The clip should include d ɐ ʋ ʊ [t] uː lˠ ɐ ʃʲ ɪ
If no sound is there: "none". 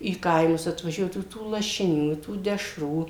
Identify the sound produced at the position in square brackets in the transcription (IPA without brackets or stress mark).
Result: t